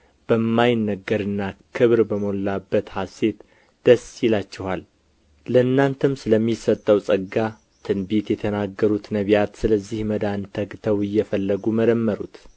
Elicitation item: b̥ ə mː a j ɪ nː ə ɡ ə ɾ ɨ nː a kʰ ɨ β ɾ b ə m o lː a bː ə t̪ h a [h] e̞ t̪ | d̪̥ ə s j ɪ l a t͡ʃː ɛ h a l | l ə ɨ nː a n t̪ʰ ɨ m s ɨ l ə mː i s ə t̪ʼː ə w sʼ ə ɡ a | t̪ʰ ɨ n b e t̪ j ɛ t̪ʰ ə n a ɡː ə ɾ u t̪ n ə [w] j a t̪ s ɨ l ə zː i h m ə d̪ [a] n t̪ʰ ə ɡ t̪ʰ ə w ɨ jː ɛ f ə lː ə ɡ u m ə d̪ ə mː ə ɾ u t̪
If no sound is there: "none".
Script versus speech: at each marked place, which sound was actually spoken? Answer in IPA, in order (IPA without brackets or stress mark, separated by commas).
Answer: s, β, a